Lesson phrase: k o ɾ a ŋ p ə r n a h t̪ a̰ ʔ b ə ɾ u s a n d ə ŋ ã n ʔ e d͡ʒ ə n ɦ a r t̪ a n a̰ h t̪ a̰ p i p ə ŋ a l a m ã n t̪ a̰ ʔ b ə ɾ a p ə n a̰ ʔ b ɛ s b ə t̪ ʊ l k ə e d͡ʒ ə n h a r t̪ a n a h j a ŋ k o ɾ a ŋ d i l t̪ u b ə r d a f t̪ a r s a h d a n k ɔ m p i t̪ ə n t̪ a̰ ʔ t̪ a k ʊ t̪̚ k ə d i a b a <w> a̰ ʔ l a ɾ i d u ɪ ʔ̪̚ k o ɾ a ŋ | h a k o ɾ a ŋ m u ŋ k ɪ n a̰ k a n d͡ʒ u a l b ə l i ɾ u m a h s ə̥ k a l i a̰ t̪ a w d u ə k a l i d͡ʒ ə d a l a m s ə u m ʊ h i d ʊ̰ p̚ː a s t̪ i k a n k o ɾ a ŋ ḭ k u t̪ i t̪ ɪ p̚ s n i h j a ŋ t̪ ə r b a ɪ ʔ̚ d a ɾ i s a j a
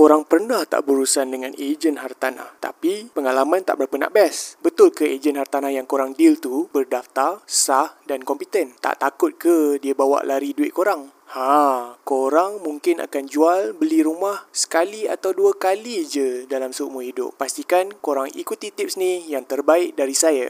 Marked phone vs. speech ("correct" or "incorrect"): correct